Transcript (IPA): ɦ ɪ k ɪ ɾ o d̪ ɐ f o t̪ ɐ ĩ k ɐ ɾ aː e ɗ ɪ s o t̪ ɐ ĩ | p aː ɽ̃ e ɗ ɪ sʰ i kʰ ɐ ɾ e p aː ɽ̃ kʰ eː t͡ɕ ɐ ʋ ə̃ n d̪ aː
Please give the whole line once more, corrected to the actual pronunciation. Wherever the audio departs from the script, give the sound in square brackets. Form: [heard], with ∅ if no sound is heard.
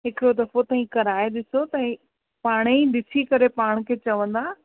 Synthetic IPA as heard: ɦ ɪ k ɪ ɾ o d̪ ɐ f o t̪ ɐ ĩ k ɐ ɾ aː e ɗ ɪ s o t̪ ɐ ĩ | p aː ɽ̃ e ɗ ɪ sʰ i [k] ɐ ɾ e p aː ɽ̃ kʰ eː t͡ɕ ɐ ʋ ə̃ n d̪ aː